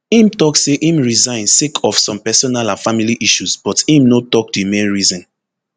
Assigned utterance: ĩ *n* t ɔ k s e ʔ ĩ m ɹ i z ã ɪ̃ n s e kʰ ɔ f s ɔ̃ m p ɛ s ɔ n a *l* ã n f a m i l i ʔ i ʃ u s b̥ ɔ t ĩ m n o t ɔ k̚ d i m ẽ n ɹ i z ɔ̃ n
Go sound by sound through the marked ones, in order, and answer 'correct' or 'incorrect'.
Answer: incorrect: m, correct

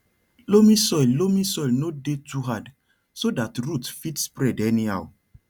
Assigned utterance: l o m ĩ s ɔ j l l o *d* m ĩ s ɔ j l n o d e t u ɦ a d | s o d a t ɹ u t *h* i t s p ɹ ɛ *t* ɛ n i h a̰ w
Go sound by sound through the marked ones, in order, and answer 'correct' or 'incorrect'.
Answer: incorrect: none, incorrect: f, incorrect: d

